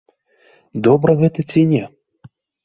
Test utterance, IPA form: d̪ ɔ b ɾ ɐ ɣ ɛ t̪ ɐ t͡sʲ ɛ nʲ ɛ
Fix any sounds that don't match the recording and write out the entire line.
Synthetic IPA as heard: d̪ ɔ b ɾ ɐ ɣ ɛ t̪ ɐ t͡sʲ i nʲ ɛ